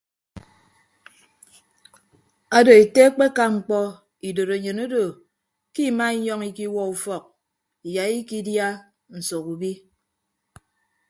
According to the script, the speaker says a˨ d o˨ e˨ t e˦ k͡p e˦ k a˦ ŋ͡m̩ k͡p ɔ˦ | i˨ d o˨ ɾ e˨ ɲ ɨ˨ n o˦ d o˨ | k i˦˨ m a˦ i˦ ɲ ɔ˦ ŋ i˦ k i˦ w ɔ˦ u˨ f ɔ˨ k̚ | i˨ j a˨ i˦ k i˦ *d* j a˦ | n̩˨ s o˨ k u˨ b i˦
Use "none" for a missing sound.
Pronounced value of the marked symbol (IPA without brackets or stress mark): d